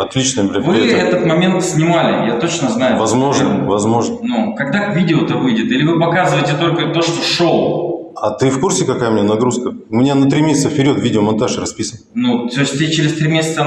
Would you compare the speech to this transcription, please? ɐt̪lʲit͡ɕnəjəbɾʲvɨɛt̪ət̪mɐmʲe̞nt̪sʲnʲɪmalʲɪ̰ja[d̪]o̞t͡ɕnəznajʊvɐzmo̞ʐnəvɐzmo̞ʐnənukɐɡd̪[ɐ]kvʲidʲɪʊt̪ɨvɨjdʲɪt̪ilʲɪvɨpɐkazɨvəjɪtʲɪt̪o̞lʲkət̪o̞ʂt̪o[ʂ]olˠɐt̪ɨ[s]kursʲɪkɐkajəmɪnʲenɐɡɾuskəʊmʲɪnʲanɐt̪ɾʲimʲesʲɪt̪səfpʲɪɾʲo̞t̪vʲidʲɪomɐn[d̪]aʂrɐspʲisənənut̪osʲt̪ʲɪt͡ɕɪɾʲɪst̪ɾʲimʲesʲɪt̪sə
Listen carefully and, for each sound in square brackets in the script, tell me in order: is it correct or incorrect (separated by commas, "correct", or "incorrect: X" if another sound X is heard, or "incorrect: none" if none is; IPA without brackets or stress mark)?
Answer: incorrect: t̪, incorrect: a, correct, incorrect: f, incorrect: t̪